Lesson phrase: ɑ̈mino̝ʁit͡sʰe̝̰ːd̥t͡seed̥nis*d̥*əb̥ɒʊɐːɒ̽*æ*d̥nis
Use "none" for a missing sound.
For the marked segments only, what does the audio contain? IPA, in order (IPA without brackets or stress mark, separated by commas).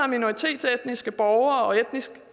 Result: ɡ̥, e